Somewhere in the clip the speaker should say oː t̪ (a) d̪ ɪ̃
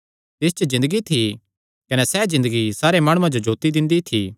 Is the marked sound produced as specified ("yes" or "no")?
no